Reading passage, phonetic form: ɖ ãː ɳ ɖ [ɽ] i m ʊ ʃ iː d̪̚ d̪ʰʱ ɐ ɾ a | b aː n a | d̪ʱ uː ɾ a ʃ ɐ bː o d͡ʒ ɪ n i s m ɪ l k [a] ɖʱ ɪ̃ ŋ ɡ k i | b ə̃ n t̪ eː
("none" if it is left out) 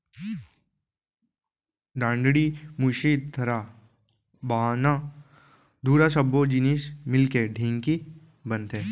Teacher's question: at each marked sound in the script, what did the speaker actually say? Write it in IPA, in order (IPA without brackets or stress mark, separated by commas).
ɽ, e